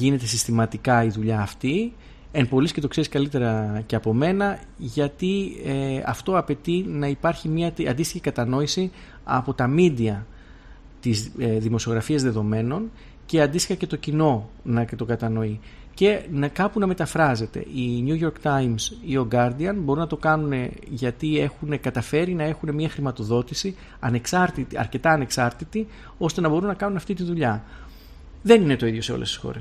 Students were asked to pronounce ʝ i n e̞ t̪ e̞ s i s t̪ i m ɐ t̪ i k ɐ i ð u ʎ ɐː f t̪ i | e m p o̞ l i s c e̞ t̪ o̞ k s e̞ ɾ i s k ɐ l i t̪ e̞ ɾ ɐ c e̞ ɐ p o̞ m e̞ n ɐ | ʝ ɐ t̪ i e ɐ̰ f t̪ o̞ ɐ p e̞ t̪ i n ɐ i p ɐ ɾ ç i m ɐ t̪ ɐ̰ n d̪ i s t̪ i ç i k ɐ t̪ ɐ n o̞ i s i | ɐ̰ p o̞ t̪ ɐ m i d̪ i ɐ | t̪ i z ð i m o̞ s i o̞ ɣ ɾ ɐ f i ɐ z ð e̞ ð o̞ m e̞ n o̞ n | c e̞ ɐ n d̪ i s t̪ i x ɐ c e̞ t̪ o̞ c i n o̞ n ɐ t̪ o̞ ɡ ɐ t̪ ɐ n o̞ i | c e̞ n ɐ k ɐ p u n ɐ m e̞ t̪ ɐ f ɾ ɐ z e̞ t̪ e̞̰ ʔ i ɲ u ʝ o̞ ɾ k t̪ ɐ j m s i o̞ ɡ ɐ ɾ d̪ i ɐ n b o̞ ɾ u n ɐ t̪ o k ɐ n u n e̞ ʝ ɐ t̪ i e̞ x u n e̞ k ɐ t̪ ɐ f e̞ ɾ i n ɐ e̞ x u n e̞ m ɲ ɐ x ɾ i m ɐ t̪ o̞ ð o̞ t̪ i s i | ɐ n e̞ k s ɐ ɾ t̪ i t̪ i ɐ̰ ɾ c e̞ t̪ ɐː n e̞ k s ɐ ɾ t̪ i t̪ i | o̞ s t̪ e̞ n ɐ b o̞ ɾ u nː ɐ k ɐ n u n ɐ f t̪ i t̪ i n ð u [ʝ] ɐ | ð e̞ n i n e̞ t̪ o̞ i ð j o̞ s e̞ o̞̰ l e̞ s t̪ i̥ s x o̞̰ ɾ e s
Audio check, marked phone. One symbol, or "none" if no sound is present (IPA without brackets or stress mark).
ʎ